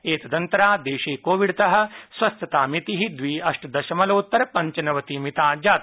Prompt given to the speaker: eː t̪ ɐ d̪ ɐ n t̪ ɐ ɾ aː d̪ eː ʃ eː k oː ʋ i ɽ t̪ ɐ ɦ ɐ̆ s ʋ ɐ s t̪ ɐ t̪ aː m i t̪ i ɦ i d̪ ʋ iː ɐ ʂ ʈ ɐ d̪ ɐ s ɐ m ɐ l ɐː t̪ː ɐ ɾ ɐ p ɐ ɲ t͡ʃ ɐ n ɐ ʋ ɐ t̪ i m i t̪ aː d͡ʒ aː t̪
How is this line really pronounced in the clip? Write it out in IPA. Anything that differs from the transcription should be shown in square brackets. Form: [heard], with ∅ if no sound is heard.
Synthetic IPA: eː t̪ ɐ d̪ ɐ n t̪ ɐ ɾ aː d̪ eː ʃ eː k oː ʋ i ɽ t̪ ɐ ɦ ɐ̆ s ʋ ɐ s t̪ ɐ t̪ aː m i t̪ i ɦ i d̪ ʋ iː ɐ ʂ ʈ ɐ d̪ ɐ [ʃ] ɐ m ɐ l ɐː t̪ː ɐ ɾ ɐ p ɐ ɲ t͡ʃ ɐ n ɐ ʋ ɐ t̪ i m i t̪ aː d͡ʒ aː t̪